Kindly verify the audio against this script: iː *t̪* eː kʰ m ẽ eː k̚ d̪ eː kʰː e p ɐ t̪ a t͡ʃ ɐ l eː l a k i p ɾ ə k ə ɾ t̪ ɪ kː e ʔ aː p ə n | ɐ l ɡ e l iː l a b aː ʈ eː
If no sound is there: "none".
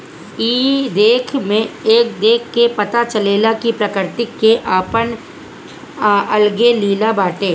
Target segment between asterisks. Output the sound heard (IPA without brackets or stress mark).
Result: d̪